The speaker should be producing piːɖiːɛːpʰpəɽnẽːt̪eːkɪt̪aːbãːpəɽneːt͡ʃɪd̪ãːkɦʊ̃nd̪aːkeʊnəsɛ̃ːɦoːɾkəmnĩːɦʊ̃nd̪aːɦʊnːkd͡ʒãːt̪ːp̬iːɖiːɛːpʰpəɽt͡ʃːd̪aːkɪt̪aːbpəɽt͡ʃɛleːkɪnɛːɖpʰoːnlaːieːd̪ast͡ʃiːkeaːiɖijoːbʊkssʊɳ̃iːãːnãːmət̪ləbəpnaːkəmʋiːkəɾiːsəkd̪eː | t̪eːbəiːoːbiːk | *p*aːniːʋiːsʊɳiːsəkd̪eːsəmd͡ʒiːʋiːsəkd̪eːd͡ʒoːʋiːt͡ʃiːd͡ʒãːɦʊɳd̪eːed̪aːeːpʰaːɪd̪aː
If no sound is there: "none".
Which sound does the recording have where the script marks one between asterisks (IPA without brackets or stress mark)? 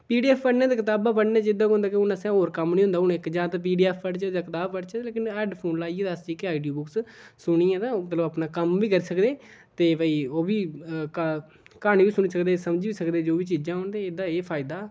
k